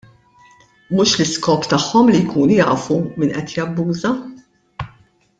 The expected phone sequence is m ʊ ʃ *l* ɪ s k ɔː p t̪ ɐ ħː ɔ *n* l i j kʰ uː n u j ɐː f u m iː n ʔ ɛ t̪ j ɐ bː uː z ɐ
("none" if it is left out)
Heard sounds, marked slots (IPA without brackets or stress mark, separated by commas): l, m